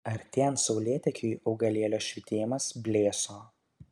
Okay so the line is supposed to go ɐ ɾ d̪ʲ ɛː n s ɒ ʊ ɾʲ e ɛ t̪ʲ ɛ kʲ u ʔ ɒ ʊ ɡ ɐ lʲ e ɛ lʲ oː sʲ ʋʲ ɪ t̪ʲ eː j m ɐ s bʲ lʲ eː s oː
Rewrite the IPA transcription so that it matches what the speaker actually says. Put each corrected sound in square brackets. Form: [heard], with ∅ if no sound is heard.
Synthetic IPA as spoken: ɐ ɾ [t̪ʲ] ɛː n s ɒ ʊ [lʲ] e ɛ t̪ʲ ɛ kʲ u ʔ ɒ ʊ ɡ ɐ lʲ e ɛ lʲ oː [ʃʲ] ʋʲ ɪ t̪ʲ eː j m ɐ s bʲ lʲ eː s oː